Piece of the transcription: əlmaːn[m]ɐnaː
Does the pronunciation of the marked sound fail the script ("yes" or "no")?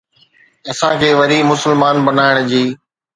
yes